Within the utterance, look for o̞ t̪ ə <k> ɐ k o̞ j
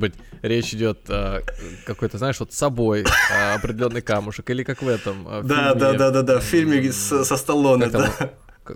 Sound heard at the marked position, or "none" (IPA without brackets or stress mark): k